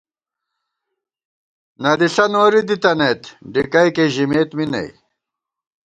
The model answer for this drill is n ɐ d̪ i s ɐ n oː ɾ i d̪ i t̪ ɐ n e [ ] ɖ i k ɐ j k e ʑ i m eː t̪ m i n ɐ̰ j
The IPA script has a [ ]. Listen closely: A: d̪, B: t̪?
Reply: B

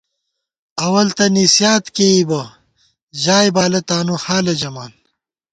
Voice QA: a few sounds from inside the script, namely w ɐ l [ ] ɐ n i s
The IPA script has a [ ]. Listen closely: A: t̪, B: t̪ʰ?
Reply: A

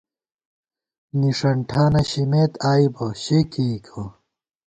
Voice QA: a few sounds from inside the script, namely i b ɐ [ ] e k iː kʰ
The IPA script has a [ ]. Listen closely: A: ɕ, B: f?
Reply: A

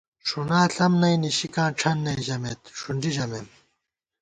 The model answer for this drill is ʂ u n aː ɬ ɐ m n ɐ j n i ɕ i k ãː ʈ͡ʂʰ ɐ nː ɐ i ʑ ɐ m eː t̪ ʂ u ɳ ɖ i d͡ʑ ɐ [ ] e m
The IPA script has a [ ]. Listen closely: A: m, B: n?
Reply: A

